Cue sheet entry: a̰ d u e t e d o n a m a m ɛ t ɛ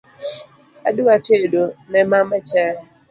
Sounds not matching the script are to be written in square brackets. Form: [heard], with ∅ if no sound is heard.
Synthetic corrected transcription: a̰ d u [a] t e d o n [ɛ] m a m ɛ [t͡ʃ] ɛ